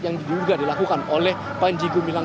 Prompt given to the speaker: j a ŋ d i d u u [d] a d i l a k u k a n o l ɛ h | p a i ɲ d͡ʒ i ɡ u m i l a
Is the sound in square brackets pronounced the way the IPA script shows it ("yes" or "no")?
no